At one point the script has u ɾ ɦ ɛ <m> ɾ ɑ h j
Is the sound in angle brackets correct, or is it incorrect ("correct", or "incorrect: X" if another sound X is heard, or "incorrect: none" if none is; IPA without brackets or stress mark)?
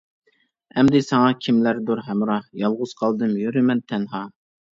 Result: correct